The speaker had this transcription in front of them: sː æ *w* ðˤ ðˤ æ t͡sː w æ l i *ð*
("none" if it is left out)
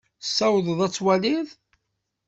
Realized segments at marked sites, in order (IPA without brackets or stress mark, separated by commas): w, ð